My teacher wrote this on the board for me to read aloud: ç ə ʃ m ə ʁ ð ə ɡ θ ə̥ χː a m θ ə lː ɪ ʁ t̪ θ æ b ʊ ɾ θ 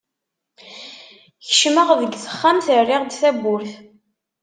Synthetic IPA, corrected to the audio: ç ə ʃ m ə ʁ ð ə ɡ θ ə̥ χː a m θ ə rː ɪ ʁ d̪ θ æ b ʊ ɾ θ